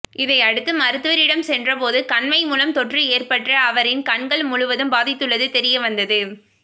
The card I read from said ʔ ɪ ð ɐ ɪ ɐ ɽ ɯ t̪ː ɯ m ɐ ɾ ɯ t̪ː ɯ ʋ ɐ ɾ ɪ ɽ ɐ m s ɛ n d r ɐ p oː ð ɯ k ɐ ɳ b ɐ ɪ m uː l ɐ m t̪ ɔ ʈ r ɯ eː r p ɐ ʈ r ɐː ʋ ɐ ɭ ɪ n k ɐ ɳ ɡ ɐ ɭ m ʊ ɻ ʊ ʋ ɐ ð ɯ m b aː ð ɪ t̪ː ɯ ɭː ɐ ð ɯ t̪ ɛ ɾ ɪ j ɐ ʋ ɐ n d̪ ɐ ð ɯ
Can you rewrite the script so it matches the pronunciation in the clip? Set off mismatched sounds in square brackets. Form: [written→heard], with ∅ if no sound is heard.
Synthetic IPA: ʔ ɪ ð ɐ ɪ ɐ ɽ ɯ t̪ː ɯ m ɐ ɾ ɯ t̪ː ɯ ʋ ɐ ɾ ɪ ɽ ɐ m s ɛ n d r ɐ p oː ð ɯ k ɐ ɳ [b→m] ɐ ɪ m uː l ɐ m t̪ ɔ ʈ r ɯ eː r p ɐ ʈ r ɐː ʋ ɐ [ɭ→ɾ] ɪ n k ɐ ɳ ɡ ɐ ɭ m ʊ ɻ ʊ ʋ ɐ ð ɯ m b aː ð ɪ t̪ː ɯ ɭː ɐ ð ɯ t̪ ɛ ɾ ɪ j ɐ ʋ ɐ n d̪ ɐ ð ɯ